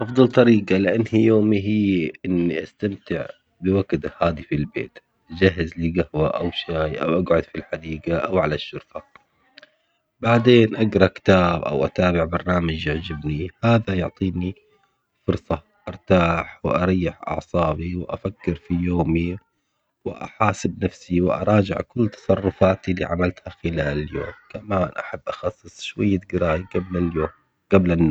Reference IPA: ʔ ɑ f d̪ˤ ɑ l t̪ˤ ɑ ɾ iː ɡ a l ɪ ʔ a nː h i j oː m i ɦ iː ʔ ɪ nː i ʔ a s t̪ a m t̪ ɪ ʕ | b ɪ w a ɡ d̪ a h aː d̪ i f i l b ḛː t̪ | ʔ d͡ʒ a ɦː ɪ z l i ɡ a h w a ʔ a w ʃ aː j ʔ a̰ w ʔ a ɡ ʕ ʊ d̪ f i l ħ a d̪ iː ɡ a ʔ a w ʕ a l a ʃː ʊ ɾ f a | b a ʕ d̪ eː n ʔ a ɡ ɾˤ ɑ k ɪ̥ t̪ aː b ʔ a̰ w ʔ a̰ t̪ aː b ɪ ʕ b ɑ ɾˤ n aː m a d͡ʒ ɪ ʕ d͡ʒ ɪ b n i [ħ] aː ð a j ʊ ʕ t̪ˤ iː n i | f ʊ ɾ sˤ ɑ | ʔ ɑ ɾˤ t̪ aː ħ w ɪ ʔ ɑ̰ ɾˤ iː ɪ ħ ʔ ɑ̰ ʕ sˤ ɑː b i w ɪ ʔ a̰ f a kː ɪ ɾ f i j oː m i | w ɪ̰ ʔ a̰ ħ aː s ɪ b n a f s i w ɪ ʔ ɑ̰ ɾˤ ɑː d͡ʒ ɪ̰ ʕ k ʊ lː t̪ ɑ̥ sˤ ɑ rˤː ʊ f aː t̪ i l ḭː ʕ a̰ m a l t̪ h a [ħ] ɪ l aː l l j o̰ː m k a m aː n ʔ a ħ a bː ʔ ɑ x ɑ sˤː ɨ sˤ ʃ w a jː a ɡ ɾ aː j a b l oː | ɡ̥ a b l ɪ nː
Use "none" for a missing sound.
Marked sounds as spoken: h, x

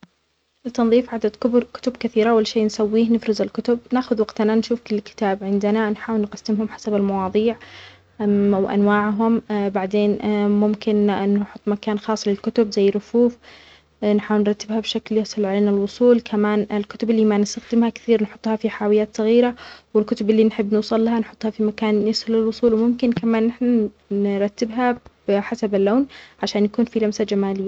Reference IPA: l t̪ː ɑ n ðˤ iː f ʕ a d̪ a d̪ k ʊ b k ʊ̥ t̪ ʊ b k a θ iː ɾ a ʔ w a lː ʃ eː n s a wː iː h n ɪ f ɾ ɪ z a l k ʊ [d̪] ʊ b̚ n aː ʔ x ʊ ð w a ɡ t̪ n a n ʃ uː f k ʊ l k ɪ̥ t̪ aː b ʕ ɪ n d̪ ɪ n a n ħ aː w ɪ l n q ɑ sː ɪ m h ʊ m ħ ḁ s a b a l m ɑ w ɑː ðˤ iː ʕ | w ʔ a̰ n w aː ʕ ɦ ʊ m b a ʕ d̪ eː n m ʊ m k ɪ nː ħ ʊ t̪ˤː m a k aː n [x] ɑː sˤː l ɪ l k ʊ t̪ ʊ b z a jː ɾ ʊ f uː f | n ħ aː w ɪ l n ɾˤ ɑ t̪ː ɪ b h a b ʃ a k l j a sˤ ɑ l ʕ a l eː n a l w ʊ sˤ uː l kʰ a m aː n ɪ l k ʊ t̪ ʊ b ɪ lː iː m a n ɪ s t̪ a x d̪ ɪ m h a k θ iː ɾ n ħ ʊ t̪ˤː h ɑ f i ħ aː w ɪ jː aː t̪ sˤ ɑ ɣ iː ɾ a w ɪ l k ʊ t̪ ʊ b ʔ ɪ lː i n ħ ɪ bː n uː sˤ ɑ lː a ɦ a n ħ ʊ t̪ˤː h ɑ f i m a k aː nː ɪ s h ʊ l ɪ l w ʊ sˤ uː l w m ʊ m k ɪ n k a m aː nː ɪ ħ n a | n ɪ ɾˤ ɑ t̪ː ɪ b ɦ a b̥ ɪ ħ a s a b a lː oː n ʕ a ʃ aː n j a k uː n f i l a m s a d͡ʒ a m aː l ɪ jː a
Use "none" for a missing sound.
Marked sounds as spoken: t̪, x

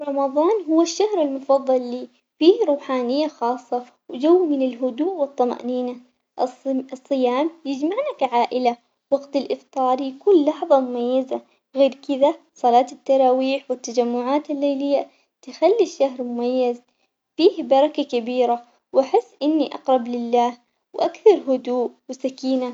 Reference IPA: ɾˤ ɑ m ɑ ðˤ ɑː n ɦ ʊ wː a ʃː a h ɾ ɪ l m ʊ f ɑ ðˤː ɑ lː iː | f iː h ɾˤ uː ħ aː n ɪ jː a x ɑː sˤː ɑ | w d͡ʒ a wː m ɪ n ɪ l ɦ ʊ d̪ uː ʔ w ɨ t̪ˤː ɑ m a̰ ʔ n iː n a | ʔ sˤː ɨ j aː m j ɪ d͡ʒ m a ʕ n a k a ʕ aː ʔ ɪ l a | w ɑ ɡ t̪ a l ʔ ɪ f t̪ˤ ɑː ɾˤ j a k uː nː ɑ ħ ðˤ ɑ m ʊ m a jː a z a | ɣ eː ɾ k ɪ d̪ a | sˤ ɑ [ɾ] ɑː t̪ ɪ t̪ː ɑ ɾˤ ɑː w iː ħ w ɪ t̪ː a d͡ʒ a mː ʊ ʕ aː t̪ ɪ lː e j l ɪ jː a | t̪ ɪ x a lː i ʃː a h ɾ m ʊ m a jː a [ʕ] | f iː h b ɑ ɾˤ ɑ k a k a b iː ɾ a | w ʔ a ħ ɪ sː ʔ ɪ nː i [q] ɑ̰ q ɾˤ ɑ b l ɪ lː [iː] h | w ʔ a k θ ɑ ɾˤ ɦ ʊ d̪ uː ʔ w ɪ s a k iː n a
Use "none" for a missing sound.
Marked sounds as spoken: l, z, ʔ, aː

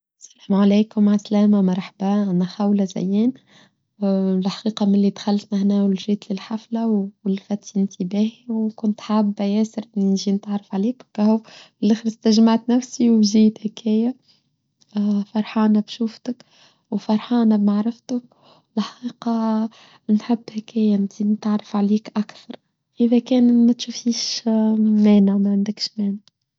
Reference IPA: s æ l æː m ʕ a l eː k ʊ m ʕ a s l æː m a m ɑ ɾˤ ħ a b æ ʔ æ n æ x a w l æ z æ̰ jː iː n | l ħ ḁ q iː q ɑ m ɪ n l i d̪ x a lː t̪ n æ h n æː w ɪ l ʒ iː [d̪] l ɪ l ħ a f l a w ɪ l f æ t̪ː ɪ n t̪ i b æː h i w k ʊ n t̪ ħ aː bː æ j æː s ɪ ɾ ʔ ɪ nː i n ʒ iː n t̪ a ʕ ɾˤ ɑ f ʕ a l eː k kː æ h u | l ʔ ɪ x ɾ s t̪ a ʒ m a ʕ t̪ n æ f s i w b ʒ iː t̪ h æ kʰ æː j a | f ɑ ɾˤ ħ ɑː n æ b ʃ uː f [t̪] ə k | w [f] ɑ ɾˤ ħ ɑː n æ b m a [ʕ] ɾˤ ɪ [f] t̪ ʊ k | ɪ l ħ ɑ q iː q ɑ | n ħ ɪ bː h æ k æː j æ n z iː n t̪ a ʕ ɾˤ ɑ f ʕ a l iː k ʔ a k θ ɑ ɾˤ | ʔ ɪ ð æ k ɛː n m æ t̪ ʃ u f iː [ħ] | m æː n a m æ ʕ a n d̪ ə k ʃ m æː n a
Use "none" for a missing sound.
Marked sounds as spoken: t̪, t̪, f, ʕ, f, ʃ

